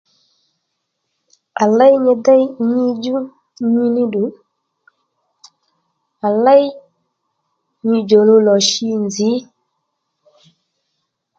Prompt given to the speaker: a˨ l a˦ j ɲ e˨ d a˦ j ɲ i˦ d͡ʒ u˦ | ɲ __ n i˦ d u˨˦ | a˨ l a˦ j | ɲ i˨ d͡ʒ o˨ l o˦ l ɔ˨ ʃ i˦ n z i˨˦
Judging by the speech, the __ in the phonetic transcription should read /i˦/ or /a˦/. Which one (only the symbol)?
i˦